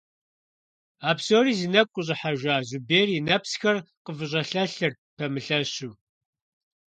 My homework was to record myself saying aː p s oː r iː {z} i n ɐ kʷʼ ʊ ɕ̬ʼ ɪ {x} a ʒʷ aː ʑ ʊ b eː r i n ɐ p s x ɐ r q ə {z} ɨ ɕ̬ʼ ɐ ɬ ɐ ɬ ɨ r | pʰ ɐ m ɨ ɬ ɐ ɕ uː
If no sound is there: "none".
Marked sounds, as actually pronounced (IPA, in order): z, ħ, v

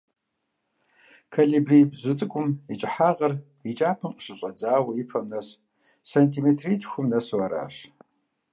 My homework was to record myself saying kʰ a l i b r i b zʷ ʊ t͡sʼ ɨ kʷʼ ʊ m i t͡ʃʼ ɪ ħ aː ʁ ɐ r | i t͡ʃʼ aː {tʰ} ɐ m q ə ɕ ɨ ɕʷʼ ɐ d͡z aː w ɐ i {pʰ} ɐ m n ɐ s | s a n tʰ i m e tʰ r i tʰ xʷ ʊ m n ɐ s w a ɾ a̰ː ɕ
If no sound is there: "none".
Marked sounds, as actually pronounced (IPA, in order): pʰ, pʰ

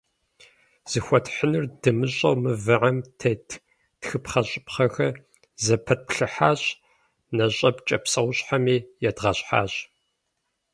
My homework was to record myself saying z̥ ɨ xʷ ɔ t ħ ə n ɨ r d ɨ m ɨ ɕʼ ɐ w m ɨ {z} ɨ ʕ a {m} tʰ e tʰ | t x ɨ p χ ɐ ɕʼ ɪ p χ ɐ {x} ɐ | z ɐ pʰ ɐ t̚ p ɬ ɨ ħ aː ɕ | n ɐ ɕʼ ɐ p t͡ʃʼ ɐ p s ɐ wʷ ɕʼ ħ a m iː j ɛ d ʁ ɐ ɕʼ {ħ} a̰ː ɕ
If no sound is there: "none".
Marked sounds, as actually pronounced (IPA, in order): v, m, x, ħ

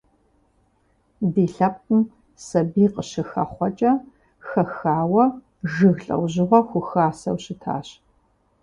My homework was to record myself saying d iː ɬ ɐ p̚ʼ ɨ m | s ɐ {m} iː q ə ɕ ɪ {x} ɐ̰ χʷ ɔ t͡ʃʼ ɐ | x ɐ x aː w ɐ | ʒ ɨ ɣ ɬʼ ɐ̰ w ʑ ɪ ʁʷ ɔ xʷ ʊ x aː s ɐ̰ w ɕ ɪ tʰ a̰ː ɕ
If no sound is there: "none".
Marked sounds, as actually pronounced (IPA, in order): b, x

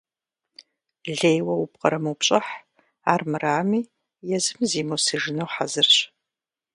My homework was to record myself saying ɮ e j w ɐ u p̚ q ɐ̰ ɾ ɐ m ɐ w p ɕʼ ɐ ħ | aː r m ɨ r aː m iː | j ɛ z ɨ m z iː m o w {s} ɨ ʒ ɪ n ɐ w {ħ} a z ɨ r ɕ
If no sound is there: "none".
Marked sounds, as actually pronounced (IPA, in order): s, ħ

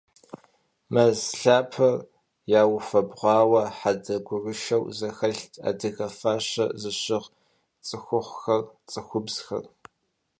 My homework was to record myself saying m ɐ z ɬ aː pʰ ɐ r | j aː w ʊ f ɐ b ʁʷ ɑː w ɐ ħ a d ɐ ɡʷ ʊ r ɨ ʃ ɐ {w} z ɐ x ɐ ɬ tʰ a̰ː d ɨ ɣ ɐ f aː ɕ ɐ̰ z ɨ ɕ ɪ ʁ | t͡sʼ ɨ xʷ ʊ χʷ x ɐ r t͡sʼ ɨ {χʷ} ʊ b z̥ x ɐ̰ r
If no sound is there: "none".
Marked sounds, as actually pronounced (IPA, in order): w, xʷ

